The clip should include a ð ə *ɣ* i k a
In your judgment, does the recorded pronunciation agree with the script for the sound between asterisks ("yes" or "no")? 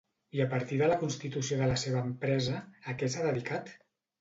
no